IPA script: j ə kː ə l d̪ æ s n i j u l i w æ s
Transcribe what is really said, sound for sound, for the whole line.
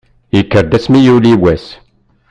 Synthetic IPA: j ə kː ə ɾ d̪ æ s m i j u l i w æ s

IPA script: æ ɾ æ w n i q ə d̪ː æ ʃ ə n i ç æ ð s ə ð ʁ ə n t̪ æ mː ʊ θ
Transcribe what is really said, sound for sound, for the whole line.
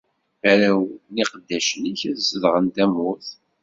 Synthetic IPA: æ ɾ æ w n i q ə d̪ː æ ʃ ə n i ç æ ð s ə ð ʁ ə n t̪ æ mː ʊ θ

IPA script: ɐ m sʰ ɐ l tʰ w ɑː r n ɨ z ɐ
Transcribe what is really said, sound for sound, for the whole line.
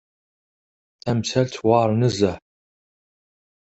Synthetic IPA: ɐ m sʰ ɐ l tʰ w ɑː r n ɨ z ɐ

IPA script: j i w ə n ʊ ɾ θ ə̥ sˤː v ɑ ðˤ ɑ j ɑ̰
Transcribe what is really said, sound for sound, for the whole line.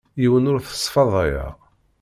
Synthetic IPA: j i w ə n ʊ ɾ θ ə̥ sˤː f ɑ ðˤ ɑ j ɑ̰

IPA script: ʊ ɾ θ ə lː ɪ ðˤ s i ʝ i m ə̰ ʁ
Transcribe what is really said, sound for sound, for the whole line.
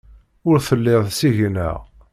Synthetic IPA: ʊ ɾ θ ə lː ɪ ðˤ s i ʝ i n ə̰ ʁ

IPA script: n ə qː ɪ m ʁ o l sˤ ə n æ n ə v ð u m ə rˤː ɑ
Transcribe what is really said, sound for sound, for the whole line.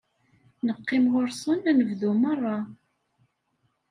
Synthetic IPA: n ə qː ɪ m ʁ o ɾ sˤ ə n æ n ə v ð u m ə rˤː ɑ

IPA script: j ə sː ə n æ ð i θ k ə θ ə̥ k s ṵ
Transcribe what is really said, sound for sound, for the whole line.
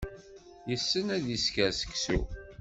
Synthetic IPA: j ə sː ə n æ ð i s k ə s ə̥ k s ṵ

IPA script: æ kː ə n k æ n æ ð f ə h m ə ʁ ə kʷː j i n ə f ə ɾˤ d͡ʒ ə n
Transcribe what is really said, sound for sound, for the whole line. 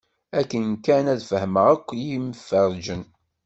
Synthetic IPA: æ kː ə n k æ n æ ð f ə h m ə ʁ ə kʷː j i m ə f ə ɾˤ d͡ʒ ə n

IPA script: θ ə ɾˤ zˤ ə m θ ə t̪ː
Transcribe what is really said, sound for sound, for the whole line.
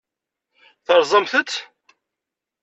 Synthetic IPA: θ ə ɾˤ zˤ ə m θ ə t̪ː

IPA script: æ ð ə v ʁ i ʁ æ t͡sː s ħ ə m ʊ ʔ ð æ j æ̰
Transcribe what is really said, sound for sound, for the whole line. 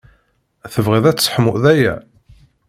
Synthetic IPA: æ θ ə v ʁ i ð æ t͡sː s ħ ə m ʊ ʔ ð æ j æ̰

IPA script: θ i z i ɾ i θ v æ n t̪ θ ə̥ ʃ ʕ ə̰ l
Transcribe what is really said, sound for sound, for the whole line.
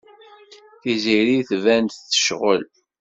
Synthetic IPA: θ i z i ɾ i θ v æ n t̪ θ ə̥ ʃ ʁ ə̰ l

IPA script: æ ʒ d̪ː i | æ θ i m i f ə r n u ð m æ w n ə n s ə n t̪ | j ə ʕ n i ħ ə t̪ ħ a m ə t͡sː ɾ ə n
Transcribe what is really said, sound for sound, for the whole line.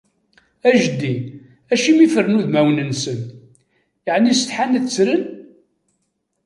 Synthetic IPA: æ ʒ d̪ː i | æ ʃ i m i f ə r n u ð m æ w n ə n s ə n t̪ | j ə ʕ n i s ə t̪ ħ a n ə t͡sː ɾ ə n

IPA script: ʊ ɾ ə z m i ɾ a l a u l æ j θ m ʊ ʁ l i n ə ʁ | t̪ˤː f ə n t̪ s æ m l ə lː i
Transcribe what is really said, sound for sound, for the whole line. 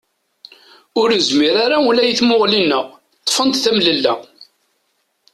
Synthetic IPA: ʊ ɾ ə z m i ɾ a ɾ a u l æ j θ m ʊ ʁ l i n ə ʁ | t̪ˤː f ə n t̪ θ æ m l ə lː æ

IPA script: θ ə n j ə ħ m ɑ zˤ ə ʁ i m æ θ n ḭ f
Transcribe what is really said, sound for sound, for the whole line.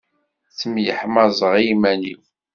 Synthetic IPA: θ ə m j ə ħ m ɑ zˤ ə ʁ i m æ n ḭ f

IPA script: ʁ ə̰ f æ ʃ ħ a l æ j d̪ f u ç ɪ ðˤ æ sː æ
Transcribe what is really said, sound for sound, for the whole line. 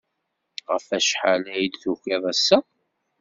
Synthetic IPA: ʁ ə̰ f æ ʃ ħ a l æ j d̪ θ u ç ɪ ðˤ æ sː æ

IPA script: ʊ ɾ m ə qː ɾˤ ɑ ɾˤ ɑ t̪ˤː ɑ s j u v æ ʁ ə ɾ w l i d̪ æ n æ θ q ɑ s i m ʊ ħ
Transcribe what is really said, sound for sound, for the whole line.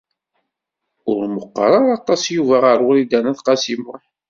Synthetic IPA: ʊ ɾ m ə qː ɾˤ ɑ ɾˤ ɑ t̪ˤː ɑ s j u v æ ʁ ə ɾ w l i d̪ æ n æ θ q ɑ s i m ʊ ħ

